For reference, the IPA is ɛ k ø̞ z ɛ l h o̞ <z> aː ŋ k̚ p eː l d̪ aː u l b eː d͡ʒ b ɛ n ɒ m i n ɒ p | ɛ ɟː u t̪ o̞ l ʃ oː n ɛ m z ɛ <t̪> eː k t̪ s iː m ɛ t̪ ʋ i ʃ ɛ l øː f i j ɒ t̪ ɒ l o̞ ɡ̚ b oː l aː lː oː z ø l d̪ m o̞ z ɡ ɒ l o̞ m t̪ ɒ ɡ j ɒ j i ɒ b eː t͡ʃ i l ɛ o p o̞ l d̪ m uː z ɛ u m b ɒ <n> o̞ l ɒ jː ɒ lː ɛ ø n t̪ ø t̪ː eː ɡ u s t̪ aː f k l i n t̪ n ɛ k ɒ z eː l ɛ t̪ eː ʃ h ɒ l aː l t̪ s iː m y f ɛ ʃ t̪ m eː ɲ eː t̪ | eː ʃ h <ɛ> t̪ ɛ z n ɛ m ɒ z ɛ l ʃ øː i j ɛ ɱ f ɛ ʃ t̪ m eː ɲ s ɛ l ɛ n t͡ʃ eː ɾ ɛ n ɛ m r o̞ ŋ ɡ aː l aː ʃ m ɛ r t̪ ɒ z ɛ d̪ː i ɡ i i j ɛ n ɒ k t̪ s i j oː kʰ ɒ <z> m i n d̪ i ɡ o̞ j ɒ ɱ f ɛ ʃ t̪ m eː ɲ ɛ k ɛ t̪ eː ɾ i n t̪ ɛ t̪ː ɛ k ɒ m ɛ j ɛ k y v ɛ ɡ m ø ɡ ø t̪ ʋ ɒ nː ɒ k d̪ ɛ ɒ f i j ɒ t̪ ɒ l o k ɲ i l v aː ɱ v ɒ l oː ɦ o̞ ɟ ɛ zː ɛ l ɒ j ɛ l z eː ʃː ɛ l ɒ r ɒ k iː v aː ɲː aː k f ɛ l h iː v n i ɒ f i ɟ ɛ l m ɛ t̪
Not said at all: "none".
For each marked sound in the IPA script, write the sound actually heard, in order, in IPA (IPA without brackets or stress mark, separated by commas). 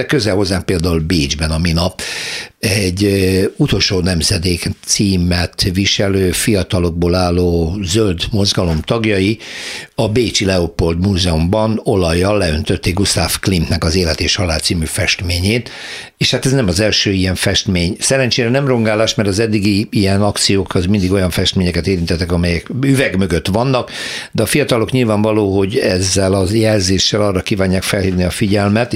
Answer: zː, d̪, n, a, z